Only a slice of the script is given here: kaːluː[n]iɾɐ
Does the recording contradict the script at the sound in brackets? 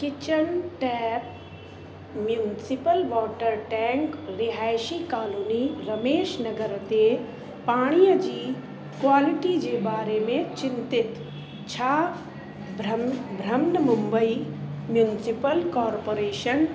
no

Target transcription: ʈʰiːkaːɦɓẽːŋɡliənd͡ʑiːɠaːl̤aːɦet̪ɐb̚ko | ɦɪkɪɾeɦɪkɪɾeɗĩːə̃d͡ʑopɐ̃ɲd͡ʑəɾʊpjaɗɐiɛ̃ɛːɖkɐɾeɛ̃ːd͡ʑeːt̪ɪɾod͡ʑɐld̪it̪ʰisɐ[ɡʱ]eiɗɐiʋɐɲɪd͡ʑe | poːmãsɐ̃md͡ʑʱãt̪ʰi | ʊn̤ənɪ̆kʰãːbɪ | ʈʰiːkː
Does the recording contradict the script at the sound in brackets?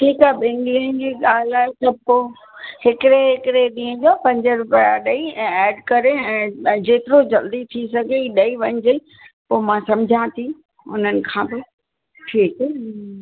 no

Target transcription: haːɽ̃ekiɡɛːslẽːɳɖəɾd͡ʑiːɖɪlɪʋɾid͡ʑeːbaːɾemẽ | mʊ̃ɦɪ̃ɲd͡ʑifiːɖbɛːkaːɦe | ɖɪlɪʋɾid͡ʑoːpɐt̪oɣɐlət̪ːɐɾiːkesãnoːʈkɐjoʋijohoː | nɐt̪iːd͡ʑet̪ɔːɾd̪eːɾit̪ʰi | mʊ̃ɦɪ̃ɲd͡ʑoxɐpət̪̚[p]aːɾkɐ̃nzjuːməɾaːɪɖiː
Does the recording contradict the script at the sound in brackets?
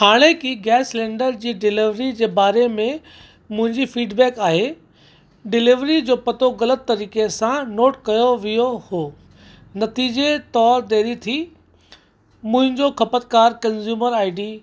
yes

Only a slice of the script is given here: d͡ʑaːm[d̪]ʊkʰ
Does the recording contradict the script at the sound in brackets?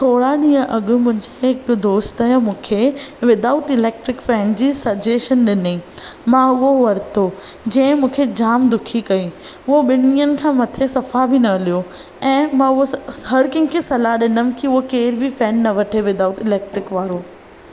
no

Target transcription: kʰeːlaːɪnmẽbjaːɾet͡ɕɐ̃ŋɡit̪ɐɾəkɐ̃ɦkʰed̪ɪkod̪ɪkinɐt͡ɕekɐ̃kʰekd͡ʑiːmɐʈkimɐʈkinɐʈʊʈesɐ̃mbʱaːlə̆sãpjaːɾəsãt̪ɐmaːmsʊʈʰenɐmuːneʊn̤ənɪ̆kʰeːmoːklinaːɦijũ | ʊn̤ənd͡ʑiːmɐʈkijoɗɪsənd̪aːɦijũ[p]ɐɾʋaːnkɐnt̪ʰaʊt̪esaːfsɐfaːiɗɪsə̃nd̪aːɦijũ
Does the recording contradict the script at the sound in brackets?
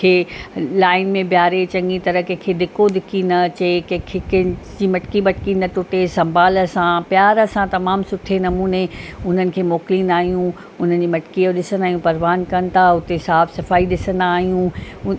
no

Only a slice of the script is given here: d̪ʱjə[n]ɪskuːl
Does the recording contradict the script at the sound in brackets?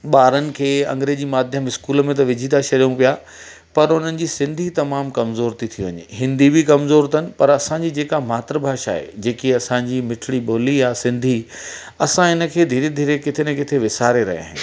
yes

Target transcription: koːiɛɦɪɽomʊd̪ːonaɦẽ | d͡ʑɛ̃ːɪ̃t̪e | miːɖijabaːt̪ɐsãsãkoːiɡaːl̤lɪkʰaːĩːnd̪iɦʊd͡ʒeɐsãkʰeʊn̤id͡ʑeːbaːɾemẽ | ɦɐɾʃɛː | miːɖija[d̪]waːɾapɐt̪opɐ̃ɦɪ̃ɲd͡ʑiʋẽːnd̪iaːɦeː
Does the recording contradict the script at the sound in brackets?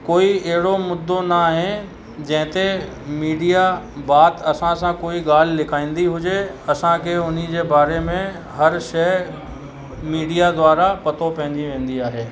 no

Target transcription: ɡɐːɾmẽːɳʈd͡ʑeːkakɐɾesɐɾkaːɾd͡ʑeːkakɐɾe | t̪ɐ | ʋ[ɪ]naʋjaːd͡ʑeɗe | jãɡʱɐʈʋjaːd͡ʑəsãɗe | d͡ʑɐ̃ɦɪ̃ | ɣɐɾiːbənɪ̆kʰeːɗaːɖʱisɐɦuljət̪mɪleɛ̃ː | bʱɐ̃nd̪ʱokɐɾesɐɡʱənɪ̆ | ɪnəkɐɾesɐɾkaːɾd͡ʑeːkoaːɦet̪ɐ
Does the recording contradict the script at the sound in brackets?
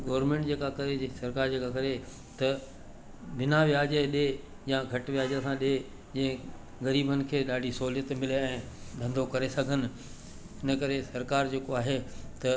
no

